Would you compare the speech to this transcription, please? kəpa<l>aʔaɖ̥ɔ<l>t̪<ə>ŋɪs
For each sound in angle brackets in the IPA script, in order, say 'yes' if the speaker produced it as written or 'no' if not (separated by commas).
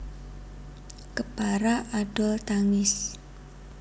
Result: no, yes, no